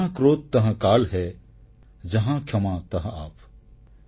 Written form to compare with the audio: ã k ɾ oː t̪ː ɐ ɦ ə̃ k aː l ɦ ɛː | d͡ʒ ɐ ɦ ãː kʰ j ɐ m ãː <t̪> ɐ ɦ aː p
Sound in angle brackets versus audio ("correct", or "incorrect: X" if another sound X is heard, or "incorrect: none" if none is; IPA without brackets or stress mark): correct